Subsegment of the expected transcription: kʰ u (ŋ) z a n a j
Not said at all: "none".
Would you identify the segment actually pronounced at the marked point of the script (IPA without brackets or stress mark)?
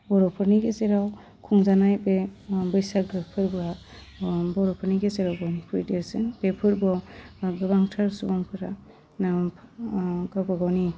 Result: ŋ